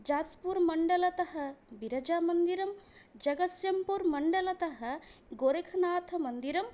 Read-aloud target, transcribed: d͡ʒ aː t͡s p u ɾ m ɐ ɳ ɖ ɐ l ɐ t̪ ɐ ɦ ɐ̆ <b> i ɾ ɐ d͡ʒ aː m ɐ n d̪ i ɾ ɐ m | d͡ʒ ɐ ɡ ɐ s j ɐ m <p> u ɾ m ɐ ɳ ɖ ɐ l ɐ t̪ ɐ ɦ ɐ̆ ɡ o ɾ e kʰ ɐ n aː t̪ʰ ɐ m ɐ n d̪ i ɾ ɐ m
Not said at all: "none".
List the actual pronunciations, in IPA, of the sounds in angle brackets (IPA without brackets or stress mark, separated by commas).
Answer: b, p